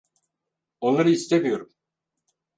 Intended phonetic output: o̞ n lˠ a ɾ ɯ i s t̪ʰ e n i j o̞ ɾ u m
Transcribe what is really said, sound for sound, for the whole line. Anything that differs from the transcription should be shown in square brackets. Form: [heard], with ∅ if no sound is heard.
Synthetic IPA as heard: o̞ n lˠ a ɾ ɯ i s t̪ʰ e [m] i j o̞ ɾ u m